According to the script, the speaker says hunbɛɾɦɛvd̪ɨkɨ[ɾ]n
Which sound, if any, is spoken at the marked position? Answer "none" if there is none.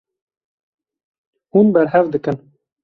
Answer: none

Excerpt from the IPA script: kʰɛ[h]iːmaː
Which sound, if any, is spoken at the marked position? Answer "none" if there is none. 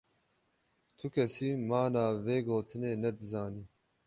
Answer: s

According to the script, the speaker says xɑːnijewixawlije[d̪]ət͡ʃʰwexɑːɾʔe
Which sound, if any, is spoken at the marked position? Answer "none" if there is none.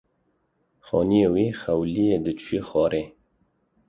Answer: d̪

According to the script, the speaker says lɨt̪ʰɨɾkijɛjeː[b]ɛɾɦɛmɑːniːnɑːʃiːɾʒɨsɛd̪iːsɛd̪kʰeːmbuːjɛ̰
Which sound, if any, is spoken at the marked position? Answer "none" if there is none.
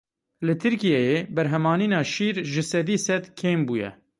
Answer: b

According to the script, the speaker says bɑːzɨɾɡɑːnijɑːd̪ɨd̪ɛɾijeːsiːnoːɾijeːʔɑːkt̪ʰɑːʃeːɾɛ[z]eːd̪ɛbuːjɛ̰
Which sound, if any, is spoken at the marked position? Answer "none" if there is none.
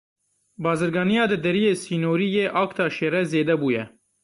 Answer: z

